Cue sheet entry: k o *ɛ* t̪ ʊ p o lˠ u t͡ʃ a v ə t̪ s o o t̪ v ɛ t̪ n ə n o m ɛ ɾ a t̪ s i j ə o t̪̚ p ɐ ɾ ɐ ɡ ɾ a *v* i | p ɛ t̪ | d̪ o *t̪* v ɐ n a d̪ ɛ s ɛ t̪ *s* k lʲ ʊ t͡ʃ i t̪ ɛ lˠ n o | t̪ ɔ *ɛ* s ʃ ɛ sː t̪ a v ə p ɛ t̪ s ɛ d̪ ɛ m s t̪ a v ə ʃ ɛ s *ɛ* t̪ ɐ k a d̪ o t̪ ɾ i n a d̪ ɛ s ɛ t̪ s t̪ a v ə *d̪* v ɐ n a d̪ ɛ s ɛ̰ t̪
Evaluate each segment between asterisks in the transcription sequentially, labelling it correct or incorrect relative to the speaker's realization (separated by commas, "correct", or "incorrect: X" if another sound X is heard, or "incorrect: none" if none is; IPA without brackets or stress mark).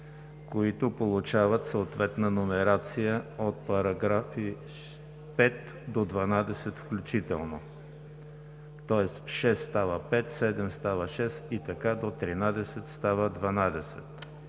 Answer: incorrect: i, incorrect: f, incorrect: d̪, incorrect: f, correct, incorrect: i, correct